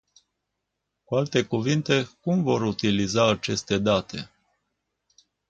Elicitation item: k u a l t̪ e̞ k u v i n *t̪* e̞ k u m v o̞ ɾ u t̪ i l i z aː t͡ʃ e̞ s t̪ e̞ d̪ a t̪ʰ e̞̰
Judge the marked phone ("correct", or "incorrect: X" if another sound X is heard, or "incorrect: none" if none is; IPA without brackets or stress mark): correct